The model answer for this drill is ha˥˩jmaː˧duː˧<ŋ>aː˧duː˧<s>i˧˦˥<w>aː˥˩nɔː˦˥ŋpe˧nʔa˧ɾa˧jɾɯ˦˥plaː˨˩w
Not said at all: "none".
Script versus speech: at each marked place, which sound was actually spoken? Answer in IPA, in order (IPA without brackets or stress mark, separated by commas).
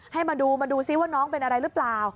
m, s, w